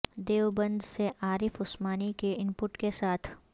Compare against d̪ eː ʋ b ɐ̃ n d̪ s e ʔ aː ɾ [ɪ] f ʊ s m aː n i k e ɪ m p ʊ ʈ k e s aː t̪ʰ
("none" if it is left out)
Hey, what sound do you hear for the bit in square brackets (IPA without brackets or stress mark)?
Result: ɪ